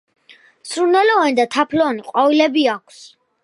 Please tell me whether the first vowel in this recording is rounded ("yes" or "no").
yes